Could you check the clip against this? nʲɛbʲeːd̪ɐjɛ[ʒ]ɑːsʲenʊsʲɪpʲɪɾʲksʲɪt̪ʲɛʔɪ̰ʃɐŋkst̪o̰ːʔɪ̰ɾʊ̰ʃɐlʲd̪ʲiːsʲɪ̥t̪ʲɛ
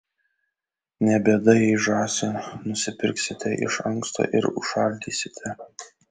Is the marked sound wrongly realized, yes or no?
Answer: no